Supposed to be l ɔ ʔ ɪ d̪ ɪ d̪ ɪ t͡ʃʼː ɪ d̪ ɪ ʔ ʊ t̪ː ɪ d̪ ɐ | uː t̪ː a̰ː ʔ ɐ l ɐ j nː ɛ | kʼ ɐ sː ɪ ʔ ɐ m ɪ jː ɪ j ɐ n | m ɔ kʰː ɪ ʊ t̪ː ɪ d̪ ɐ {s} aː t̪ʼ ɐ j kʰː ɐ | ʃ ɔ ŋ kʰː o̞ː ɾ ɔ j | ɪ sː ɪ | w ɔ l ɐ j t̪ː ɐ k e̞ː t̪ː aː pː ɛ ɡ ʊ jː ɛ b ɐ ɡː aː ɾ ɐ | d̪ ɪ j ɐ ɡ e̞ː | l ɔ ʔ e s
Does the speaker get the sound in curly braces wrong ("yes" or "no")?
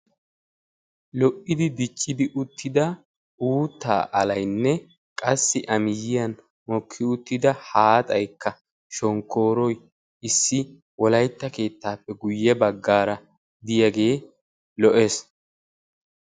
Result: yes